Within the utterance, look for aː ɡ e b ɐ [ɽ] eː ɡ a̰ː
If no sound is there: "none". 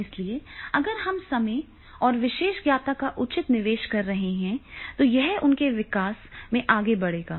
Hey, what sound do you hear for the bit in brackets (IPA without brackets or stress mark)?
ɽ